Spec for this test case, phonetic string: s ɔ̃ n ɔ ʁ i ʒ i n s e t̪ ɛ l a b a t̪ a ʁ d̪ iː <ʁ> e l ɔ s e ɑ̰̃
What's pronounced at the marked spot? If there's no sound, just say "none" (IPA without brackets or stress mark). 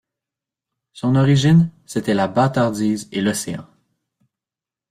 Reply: z